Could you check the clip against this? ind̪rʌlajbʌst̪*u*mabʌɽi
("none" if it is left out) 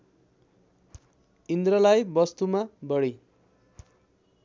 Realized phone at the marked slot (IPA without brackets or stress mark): u